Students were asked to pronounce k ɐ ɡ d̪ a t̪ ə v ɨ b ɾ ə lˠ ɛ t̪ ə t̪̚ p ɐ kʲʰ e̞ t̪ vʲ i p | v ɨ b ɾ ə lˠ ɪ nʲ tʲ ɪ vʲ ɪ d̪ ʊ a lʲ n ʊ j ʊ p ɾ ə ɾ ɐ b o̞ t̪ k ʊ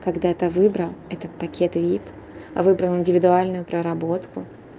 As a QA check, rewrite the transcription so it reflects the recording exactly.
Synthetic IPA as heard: k ɐ ɡ d̪ a t̪ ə v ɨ b ɾ ə lˠ ɛ t̪ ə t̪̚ p ɐ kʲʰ e̞ t̪ vʲ i p | v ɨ b ɾ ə lˠ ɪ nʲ dʲ ɪ vʲ ɪ d̪ ʊ a lʲ n ʊ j ʊ p ɾ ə ɾ ɐ b o̞ t̪ k ʊ